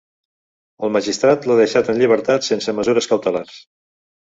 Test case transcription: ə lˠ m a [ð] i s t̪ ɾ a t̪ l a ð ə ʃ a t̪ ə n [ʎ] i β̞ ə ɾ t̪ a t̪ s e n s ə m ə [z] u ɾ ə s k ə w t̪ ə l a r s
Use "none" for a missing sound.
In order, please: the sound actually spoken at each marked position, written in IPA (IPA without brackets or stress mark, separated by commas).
ʒ, ʎ, z